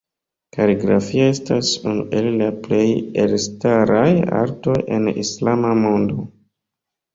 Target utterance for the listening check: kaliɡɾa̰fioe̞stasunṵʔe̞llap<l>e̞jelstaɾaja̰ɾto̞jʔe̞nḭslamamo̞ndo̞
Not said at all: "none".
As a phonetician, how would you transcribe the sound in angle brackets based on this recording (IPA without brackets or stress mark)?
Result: l